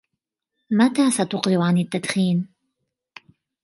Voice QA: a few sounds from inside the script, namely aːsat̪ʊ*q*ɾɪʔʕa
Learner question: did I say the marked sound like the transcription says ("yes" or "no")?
yes